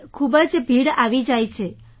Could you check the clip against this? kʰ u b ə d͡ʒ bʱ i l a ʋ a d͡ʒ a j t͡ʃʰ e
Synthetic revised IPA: kʰ u b ə d͡ʒ bʱ i ɽ a ʋ i d͡ʒ a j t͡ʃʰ e